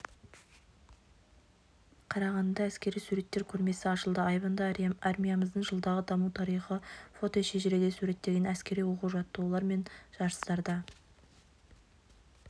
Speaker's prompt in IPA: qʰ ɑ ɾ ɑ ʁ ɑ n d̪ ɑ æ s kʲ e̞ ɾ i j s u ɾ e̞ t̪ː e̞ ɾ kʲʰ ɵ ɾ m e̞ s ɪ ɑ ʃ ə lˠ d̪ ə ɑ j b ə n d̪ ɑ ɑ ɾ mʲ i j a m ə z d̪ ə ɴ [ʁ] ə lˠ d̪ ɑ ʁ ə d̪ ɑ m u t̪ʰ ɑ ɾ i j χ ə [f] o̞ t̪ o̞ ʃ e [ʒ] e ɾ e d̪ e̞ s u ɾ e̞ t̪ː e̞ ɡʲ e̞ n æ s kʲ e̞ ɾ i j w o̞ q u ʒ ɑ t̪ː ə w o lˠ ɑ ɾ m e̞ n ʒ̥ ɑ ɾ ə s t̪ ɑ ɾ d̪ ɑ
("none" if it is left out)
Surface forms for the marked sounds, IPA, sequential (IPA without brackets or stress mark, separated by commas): ʒ, f, ʒ